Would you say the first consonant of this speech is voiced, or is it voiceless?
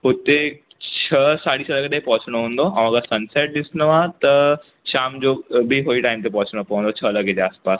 voiceless